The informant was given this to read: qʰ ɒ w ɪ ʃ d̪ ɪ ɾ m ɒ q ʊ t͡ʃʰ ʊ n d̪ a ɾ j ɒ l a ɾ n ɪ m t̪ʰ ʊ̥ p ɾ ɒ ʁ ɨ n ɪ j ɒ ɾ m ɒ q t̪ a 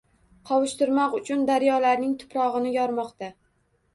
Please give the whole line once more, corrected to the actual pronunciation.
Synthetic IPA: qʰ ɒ w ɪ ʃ t̪ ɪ ɾ m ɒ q ʊ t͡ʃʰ ʊ n d̪ a ɾ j ɒ l a ɾ n ɪ ŋ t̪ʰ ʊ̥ p ɾ ɒ ʁ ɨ n ɪ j ɒ ɾ m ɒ q t̪ a